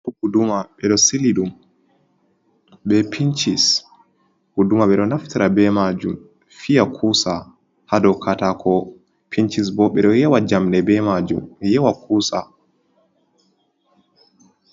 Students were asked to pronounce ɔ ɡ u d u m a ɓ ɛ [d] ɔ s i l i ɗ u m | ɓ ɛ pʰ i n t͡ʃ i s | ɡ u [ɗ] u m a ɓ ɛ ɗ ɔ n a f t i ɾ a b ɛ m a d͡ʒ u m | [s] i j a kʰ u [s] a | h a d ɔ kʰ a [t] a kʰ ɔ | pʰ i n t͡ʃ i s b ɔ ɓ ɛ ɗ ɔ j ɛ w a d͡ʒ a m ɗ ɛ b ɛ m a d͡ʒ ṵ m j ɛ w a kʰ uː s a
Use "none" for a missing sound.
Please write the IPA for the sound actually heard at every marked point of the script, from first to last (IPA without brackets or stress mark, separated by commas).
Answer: ɗ, d, f, s, t